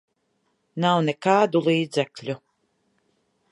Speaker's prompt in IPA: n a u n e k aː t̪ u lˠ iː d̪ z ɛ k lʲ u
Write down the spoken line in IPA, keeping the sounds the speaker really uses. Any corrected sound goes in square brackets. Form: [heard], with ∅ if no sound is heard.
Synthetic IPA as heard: n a [w] n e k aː [d̪] u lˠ iː d̪ z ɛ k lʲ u